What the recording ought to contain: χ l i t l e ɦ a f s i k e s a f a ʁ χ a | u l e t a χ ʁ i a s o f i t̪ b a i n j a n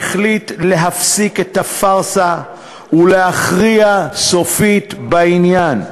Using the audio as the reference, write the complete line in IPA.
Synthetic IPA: χ l i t l e ɦ a f s i k e t a f a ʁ s a | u l e a χ ʁ i a s o f i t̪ b a i n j a n